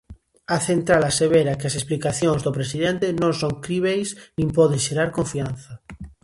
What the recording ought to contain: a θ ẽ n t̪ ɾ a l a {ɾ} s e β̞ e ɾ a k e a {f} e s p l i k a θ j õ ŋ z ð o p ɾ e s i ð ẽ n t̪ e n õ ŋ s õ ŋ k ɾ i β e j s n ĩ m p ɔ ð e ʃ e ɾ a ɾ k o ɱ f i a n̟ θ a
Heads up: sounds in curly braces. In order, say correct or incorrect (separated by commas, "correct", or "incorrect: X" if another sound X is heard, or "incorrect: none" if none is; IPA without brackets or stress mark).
incorrect: none, incorrect: s